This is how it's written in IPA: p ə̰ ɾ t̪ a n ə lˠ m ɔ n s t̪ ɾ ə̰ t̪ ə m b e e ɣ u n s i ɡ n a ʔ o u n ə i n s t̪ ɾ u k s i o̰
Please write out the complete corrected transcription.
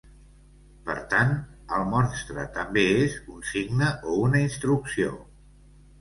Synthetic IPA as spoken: p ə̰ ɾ t̪ a n ə lˠ m ɔ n s t̪ ɾ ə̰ t̪ ə m b e e z u n s i ɡ n ə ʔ o u n ə i n s t̪ ɾ u k s i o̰

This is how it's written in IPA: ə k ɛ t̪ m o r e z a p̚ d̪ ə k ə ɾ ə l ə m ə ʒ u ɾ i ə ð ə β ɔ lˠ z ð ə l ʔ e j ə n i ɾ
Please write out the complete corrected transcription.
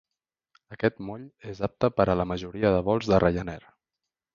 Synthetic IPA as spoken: ə k ɛ t̪ m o ʎ e z a p̚ t̪ ə p ə ɾ ə l ə m ə ʒ u ɾ i ə ð ə β ɔ lˠ z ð ə r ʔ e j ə n ɛ ɾ

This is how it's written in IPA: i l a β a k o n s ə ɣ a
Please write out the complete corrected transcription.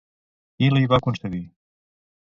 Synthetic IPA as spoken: i l i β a k u n s ə ɣ i

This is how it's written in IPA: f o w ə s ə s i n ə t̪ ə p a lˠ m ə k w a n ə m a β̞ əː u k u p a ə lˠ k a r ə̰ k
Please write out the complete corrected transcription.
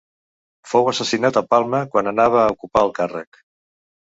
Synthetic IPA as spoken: f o w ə s ə s i n a t̪ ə p a lˠ m ə k w a n ə n a β̞ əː u k u p a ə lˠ k a r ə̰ k

